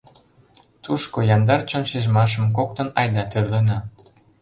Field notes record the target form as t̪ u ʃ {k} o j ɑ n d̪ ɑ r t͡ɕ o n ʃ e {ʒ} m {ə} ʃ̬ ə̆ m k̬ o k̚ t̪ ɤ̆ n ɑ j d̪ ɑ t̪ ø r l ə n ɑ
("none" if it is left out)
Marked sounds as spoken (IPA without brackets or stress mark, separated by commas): k, ʒ, ɑ